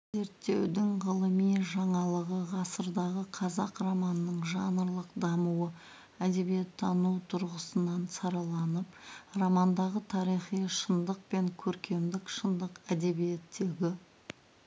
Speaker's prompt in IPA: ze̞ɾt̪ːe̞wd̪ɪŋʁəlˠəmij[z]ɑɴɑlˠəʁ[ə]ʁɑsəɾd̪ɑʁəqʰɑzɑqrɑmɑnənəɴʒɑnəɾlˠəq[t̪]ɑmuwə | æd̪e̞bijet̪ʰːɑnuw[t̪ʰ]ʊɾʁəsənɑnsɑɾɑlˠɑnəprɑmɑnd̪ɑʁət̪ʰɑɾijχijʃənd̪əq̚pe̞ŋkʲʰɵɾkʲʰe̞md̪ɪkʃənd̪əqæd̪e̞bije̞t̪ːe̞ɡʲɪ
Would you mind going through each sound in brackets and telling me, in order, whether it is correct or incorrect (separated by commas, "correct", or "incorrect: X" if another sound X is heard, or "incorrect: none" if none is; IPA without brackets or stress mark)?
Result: incorrect: ʒ, correct, incorrect: d̪, correct